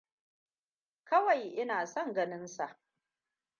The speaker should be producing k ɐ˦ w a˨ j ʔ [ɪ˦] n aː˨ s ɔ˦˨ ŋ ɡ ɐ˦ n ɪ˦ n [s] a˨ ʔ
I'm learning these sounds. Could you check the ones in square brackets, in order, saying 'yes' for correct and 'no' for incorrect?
yes, yes

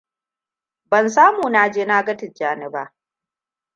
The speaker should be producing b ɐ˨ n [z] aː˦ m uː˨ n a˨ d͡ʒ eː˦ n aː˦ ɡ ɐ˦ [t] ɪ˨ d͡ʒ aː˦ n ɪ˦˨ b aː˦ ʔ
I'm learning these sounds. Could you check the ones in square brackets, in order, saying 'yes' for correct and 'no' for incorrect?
no, yes

